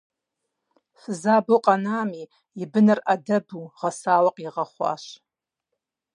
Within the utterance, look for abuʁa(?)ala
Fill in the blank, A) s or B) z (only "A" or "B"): A